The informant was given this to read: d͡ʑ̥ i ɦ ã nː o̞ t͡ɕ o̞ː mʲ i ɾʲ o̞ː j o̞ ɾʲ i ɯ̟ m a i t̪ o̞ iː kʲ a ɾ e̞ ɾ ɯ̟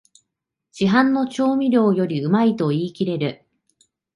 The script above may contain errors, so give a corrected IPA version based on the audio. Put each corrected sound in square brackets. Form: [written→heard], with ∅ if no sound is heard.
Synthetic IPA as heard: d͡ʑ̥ i ɦ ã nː o̞ t͡ɕ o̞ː mʲ i ɾʲ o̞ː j o̞ ɾʲ i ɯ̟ m a i t̪ o̞ iː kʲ [a→i] ɾ e̞ ɾ ɯ̟